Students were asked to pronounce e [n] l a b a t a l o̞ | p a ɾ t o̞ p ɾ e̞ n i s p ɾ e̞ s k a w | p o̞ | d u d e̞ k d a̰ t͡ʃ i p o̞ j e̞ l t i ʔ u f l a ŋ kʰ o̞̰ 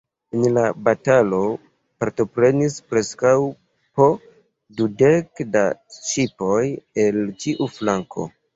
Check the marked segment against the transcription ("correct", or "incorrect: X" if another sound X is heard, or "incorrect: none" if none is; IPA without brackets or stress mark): correct